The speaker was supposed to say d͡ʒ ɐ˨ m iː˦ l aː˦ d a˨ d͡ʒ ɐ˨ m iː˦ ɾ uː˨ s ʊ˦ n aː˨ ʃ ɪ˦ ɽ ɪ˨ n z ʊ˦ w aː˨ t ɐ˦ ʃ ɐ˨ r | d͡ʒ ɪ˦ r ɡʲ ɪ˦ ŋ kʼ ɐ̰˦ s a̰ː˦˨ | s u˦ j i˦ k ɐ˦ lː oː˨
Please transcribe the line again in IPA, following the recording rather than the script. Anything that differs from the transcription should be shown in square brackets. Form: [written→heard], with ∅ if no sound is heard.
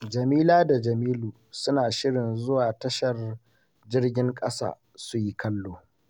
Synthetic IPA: d͡ʒ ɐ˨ m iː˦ l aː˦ d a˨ d͡ʒ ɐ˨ m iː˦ [ɾ→l] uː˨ s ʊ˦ n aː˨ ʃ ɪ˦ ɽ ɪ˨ n z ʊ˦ w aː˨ t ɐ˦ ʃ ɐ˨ r | d͡ʒ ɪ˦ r ɡʲ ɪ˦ ŋ kʼ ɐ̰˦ s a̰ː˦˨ | s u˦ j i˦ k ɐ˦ lː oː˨